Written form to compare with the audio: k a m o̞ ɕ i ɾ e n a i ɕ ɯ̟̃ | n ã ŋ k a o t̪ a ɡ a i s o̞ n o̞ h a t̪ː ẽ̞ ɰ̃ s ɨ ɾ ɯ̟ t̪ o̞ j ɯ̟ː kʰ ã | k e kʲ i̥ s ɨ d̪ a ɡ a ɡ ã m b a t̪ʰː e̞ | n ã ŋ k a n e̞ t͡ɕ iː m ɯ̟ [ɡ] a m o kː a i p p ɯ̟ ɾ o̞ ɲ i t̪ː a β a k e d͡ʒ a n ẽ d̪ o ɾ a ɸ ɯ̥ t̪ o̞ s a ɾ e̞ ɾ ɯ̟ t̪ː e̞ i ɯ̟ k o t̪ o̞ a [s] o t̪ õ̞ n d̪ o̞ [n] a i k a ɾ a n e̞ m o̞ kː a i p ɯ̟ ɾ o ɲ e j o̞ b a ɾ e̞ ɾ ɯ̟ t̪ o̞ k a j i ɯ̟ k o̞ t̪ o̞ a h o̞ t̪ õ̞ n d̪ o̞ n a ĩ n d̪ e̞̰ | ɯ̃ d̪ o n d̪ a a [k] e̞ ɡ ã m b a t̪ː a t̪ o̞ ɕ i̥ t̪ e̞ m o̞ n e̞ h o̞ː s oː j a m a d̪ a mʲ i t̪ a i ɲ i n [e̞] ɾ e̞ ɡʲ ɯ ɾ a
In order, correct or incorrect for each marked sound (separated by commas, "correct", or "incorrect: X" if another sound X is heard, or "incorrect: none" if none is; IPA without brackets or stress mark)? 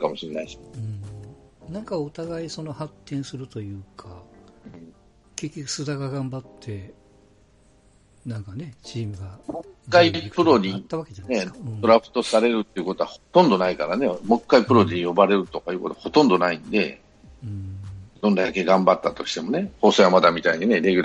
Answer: correct, incorrect: h, correct, correct, correct